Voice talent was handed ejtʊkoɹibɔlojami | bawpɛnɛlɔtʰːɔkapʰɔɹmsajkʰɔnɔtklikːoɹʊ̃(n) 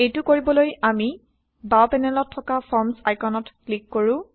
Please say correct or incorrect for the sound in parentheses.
incorrect